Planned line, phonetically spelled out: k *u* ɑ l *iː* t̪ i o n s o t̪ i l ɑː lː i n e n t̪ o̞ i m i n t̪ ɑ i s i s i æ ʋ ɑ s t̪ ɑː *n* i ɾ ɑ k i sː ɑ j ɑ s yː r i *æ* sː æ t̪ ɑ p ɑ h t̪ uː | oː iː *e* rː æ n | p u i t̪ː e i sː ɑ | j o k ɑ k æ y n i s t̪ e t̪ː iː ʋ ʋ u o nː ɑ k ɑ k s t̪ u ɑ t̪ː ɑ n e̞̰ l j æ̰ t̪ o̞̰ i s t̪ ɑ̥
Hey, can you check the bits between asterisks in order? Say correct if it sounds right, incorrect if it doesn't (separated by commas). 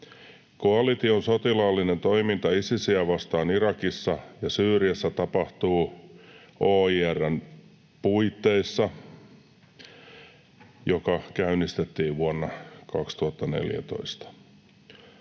incorrect, incorrect, correct, correct, incorrect